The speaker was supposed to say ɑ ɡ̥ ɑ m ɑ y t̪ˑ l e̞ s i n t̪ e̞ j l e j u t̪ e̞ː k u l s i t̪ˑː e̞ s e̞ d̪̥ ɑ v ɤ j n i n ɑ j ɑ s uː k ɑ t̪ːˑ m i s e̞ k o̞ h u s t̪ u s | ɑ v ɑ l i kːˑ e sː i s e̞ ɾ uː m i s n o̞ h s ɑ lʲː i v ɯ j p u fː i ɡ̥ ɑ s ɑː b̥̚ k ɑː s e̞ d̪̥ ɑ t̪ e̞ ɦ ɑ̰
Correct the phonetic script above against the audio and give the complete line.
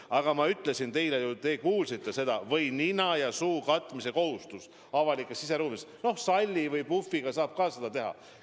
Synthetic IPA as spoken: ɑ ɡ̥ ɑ m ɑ y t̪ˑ l e̞ s i n t̪ e̞ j l e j u t̪ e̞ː k uː l s i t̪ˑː e̞ s e̞ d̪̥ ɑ v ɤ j n i n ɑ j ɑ s uː k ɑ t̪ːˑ m i s e̞ k o̞ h u s t̪ u s | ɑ v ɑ l i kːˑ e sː i s e̞ ɾ uː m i s n o̞ h s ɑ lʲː i v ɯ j p u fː i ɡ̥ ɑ s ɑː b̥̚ k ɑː s e̞ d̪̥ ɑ t̪ e̞ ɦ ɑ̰